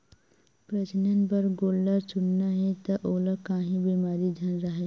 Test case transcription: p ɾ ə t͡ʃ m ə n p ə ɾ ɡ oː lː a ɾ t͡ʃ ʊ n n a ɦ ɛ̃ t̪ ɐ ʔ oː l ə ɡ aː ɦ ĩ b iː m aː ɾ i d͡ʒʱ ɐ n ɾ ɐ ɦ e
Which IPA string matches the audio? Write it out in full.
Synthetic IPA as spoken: p ɾ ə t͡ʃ n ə n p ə ɾ ɡ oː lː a ɾ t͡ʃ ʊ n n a ɦ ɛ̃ t̪ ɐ ʔ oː l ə k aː ɦ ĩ b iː m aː ɾ i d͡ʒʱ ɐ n ɾ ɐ ɦ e